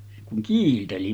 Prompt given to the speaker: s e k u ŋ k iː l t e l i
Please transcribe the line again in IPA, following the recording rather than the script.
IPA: s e k u ŋ k iː l t e l i